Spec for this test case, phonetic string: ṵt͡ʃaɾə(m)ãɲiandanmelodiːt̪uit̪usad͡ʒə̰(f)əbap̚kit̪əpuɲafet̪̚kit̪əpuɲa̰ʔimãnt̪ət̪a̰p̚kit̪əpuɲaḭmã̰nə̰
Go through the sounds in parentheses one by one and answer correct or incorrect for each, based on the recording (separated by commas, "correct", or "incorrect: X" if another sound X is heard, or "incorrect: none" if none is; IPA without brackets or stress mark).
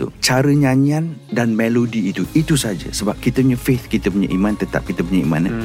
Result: incorrect: ɲ, incorrect: s